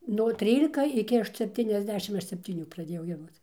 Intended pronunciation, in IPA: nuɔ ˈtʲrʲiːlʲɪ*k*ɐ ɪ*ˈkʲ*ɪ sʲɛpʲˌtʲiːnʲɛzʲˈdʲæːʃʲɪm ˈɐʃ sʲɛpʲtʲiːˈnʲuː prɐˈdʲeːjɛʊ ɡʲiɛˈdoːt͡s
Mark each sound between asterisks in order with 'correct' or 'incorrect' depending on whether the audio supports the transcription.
correct, correct

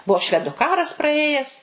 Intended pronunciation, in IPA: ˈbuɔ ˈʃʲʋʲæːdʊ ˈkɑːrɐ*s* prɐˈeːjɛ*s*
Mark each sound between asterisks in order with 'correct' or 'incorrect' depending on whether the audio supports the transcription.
correct, correct

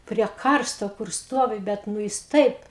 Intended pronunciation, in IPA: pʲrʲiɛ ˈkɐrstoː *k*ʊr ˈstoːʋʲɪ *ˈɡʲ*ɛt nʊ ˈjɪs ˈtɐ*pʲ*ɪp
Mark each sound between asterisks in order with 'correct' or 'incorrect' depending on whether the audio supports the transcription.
correct, incorrect: bʲ, incorrect: none

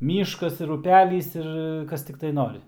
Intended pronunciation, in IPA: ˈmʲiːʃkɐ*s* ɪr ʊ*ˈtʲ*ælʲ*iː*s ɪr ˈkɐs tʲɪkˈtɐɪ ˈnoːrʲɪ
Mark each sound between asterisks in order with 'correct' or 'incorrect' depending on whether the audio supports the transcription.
correct, incorrect: pʲ, correct

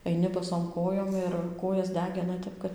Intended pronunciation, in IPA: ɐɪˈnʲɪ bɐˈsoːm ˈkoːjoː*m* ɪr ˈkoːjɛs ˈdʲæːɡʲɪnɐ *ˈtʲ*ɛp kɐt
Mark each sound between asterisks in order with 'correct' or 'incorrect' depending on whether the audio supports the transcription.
correct, correct

